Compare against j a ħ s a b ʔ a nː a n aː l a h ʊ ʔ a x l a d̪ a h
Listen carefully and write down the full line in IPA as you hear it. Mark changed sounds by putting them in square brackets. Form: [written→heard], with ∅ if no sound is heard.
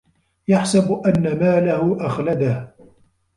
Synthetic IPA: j a ħ s a b ʔ a nː a [n→m] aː l a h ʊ ʔ a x l a d̪ a h